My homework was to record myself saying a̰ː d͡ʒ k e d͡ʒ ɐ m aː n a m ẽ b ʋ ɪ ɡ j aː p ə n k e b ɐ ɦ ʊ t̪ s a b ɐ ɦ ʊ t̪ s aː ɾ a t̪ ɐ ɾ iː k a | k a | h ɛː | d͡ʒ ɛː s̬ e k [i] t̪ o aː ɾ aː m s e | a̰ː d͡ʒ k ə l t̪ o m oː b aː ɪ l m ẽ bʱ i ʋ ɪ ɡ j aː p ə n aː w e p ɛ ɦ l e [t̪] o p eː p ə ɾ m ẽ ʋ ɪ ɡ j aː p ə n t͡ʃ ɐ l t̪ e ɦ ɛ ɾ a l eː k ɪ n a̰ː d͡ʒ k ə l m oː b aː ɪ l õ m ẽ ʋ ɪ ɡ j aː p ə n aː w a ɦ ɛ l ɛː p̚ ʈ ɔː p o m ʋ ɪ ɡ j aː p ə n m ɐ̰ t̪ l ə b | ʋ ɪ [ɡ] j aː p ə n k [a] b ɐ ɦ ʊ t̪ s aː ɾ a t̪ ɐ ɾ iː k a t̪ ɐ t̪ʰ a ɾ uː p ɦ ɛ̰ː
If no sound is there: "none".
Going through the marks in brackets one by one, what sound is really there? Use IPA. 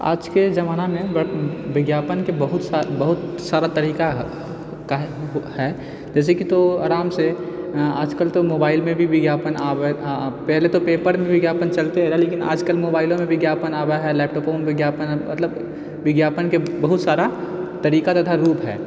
i, t̪, ɡ, e

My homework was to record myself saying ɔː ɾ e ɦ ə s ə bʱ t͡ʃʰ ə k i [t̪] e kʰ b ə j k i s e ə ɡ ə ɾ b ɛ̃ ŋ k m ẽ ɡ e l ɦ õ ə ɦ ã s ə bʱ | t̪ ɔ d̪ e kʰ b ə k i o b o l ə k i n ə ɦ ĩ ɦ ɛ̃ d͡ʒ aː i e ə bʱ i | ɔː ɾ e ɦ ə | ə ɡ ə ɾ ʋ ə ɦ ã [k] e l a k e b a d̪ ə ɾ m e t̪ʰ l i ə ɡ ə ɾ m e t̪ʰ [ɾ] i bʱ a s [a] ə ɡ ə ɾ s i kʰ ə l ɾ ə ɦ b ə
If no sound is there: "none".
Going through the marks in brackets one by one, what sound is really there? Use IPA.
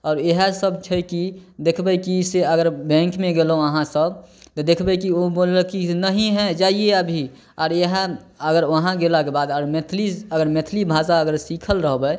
d̪, ɡ, l, a

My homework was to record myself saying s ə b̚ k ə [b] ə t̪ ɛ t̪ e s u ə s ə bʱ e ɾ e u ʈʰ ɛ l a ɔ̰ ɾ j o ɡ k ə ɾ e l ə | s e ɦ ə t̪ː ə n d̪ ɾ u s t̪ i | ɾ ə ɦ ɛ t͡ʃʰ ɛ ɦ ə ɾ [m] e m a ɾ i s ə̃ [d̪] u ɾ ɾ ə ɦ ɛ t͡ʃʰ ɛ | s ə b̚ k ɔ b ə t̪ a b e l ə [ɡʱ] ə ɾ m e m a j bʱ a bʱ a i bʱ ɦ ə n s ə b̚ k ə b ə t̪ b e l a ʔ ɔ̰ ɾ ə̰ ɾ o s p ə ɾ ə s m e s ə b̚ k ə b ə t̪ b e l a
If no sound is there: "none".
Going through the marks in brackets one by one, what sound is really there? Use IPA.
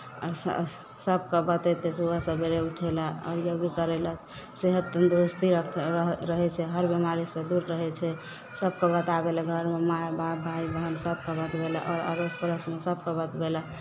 b, b, d̪, ɡʱ

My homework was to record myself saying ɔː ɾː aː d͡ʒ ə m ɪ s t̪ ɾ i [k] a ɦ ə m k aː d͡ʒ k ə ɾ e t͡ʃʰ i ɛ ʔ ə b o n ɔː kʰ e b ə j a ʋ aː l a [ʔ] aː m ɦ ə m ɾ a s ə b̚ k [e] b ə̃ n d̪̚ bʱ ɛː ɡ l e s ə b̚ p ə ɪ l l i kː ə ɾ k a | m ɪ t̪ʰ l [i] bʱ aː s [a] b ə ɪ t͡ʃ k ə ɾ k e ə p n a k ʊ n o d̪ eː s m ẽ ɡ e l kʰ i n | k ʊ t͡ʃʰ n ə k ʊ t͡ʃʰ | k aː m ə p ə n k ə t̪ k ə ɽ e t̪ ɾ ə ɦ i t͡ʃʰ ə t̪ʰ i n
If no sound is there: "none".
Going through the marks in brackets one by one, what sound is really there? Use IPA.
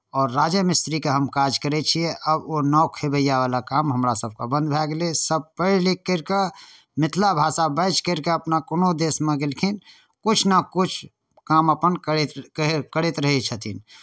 k, k, a, a, a

